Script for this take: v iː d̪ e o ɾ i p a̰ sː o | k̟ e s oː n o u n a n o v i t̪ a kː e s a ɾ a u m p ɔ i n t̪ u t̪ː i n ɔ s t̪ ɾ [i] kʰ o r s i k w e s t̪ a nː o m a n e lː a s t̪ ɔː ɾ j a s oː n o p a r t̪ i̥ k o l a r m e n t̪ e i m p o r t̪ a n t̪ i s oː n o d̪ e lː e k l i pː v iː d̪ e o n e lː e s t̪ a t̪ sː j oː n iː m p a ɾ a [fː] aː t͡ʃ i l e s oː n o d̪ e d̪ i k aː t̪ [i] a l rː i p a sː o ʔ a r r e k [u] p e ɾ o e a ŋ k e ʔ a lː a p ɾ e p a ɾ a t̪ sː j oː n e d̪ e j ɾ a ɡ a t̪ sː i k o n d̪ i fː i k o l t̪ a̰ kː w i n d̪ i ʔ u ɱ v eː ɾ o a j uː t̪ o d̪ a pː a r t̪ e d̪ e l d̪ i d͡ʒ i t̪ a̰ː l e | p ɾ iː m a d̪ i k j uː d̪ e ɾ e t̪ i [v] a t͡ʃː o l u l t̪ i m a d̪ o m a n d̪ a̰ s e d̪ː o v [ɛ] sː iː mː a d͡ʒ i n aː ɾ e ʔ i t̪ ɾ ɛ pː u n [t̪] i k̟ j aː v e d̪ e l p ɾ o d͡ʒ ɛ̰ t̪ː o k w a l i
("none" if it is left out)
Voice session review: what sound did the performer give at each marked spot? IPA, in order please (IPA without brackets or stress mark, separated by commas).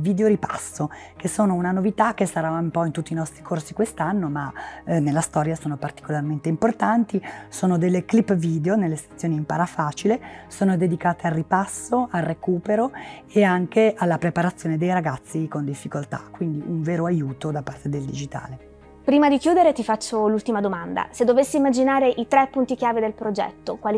i, f, e, uː, f, e, t̪